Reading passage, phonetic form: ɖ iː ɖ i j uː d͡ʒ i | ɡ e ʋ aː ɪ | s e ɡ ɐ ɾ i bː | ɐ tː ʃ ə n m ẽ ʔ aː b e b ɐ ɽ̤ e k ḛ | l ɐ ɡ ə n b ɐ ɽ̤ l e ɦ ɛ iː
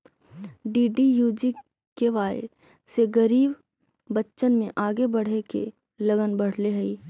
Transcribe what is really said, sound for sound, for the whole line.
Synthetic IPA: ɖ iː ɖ i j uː d͡ʒ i | k e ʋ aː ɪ | s e ɡ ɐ ɾ iː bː | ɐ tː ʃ ə n m ẽ ʔ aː ɡ e b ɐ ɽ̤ e k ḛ | l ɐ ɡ ə n b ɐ ɽ̤ l e ɦ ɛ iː